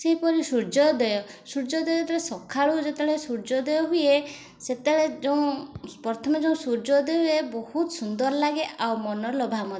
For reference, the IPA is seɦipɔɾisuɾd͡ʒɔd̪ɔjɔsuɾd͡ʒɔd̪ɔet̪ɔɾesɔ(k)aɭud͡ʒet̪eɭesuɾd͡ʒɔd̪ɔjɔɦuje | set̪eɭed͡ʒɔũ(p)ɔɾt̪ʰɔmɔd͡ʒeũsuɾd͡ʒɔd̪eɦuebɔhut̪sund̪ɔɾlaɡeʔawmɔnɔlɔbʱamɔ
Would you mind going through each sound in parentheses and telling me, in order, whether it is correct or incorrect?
incorrect: kʰ, correct

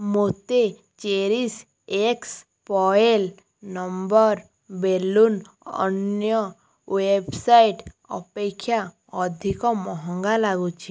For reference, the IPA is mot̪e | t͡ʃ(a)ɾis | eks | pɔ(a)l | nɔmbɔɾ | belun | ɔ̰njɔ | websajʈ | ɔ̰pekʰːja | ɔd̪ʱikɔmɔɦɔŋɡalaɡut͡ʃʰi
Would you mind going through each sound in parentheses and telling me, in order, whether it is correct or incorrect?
incorrect: e, incorrect: e

